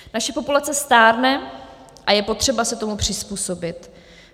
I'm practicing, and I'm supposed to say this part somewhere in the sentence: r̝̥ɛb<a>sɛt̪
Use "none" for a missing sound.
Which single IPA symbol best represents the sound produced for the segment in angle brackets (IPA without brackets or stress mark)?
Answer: a